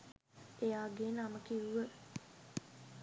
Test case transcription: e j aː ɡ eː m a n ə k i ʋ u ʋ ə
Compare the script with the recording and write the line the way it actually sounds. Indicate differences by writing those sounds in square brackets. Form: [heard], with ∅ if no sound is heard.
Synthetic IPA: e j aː ɡ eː [n] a [m] ə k i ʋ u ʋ ə